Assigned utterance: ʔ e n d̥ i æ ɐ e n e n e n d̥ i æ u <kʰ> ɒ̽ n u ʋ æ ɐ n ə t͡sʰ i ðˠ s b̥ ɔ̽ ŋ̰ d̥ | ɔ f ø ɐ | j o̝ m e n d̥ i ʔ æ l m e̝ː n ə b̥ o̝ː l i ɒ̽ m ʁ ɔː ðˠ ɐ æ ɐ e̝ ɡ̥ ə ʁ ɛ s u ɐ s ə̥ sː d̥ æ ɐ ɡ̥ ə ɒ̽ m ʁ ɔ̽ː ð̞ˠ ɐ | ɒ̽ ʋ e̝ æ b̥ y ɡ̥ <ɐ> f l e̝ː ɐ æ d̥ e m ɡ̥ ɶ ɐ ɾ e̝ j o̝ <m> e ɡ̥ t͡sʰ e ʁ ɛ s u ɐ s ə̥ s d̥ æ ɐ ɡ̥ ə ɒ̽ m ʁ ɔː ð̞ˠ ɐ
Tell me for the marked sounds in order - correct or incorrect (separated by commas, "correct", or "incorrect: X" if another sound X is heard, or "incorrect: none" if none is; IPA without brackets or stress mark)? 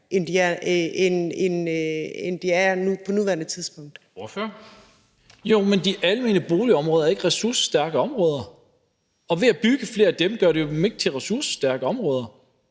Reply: incorrect: pʰ, incorrect: ə, correct